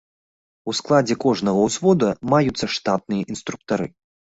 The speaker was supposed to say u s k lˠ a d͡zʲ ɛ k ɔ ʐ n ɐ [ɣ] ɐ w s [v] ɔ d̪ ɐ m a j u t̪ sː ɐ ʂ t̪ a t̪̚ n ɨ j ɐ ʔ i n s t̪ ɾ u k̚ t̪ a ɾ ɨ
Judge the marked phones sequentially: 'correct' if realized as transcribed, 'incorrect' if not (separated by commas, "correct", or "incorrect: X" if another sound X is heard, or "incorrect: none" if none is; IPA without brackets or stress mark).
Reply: correct, correct